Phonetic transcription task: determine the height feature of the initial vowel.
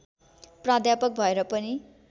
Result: low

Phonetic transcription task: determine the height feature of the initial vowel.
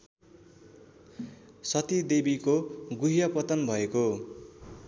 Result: mid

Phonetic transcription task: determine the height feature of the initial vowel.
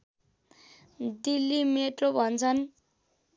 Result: high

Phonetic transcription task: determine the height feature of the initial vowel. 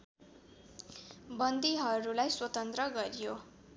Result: mid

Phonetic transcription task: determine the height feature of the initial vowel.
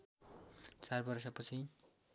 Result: low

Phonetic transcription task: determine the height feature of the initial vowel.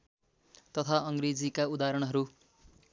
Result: mid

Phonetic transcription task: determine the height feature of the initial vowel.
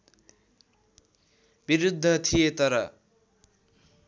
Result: high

